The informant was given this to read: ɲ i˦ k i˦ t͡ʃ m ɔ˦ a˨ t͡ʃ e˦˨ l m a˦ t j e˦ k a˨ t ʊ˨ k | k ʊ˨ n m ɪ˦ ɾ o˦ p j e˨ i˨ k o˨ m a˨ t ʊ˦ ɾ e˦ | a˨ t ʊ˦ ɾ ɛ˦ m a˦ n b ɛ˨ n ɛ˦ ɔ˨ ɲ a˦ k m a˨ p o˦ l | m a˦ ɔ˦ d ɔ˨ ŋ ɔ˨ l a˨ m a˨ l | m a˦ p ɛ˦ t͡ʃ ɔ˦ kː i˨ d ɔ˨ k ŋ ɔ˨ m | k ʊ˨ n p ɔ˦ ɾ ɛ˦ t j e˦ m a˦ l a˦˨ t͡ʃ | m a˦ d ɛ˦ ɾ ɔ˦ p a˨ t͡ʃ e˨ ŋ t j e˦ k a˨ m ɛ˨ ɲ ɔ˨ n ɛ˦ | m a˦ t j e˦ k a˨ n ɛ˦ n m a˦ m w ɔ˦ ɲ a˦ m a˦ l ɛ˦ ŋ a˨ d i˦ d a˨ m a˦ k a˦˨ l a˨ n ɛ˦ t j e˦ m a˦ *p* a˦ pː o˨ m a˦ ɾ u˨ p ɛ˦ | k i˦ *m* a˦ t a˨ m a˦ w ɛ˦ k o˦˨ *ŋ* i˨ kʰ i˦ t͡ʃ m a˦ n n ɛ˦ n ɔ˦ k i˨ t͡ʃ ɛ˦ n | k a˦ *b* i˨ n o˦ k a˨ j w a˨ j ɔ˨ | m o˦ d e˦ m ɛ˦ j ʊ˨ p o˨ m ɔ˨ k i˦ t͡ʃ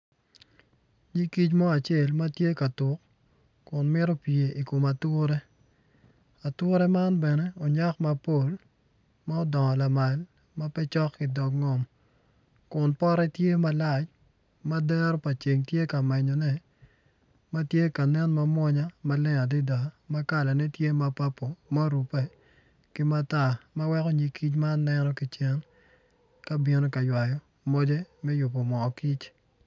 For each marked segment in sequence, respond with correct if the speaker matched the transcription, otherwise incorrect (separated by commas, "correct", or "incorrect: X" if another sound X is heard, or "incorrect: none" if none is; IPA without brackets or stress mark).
correct, correct, incorrect: ɲ, correct